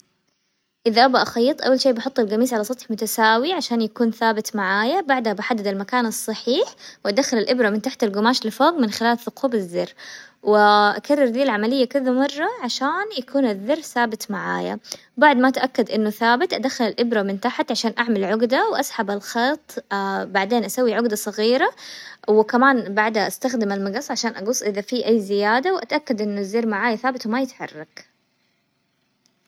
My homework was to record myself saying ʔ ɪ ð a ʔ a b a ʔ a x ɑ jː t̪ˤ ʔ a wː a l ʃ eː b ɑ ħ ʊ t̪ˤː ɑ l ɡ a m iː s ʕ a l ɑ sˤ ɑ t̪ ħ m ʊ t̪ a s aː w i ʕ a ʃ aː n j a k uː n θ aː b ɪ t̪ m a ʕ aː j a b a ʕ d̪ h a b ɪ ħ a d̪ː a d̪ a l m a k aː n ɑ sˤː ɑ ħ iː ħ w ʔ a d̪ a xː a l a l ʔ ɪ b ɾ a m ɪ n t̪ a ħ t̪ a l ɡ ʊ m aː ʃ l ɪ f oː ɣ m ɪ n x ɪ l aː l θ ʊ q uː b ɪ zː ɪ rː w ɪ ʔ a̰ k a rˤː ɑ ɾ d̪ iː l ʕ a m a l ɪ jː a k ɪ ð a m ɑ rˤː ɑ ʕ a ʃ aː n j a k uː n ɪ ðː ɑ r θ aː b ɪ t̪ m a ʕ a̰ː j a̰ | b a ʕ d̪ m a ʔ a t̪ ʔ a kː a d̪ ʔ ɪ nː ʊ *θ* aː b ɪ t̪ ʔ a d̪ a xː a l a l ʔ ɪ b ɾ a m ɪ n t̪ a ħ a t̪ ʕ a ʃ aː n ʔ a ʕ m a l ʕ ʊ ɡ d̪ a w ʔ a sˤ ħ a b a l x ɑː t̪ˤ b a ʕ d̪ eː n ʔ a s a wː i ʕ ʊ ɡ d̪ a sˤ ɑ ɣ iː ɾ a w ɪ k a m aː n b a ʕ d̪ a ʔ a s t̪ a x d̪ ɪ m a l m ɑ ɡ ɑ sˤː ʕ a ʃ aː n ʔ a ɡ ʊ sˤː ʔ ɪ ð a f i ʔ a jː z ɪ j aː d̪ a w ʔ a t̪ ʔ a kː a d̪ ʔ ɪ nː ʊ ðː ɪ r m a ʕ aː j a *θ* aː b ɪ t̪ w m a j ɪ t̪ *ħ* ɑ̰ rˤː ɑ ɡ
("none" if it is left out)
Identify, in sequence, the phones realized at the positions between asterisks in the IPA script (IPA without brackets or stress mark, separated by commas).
θ, θ, ħ